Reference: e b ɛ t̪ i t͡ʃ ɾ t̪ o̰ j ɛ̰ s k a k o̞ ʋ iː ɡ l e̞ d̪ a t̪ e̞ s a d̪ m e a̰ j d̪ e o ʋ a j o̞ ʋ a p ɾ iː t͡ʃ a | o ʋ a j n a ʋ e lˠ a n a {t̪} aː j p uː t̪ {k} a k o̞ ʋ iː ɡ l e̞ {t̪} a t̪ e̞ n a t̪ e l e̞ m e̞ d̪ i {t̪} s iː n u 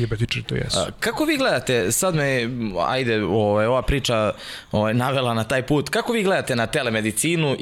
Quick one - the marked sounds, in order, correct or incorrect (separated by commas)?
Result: correct, correct, incorrect, correct